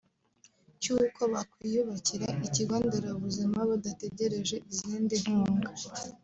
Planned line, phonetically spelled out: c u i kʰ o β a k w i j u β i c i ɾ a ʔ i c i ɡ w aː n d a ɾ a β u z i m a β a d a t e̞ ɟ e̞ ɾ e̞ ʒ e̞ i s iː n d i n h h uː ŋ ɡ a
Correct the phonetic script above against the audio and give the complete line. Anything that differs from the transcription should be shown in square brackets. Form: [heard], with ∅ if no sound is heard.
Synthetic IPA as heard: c u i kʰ o β a k w i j u β [a] c i ɾ a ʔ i c i ɡ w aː n d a ɾ a β u z i m a β a d a t e̞ ɟ e̞ ɾ e̞ ʒ e̞ i [z] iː n d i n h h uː ŋ ɡ a